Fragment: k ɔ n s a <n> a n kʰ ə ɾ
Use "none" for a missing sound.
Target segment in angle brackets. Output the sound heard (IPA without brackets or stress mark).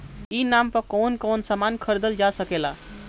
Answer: m